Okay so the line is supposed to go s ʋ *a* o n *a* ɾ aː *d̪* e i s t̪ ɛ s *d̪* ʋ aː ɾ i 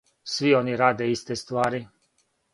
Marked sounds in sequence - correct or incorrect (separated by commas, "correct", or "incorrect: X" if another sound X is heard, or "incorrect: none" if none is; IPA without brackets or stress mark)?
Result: incorrect: i, incorrect: i, correct, incorrect: t̪